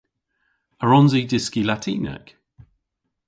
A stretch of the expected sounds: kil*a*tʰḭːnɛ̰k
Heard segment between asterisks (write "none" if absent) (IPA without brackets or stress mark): a